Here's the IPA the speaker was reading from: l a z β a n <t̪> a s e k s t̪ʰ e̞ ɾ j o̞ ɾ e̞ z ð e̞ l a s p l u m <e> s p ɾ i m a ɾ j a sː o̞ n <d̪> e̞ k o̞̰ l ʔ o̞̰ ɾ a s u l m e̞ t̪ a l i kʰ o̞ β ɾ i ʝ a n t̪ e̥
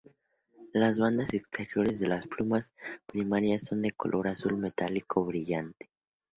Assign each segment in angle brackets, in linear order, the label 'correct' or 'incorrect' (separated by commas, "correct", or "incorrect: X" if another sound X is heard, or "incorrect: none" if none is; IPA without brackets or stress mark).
incorrect: d̪, incorrect: a, correct